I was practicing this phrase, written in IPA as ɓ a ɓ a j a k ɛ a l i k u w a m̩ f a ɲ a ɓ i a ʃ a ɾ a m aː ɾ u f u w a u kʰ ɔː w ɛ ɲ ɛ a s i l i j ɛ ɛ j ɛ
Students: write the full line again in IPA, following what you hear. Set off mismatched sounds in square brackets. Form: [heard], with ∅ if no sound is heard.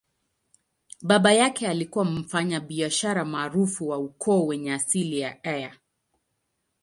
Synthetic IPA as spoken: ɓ a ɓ a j a k ɛ a l i k u w a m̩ f a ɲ a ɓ i a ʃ a ɾ a m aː ɾ u f u w a u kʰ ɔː w ɛ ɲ ɛ a s i l i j [a] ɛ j [a]